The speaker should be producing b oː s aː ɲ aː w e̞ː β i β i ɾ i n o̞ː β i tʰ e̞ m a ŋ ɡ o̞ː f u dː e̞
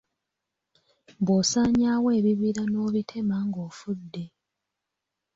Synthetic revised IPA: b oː s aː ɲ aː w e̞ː β i β i ɾ a n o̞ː β i tʰ e̞ m a ŋ ɡ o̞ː f u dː e̞